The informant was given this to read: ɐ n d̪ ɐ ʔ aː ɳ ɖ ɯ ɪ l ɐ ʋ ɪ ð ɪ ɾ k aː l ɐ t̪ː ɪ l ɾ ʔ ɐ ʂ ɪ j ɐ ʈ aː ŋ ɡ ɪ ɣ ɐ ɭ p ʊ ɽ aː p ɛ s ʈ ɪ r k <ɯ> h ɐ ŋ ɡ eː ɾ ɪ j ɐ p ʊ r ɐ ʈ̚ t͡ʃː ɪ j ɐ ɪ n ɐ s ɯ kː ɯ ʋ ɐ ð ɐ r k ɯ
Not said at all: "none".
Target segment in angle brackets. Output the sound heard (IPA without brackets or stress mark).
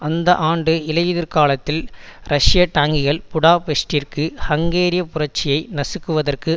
ɯ